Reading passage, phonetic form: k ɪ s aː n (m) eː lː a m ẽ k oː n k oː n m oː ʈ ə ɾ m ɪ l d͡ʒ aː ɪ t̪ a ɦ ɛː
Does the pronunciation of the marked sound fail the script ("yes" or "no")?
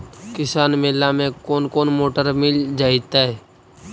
no